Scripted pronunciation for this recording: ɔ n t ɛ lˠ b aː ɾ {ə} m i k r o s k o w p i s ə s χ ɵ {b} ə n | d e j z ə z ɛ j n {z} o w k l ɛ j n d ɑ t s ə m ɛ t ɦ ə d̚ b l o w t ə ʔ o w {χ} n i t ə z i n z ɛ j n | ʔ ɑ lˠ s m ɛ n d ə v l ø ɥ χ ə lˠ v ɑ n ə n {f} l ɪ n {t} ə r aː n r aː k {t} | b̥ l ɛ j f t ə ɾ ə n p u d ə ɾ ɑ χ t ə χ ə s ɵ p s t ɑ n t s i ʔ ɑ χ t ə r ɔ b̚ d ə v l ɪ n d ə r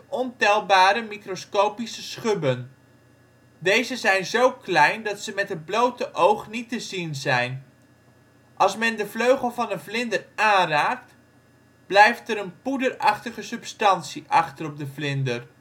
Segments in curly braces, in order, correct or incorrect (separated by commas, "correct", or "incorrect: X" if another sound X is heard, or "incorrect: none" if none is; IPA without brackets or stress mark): correct, correct, correct, correct, incorrect: v, incorrect: d, correct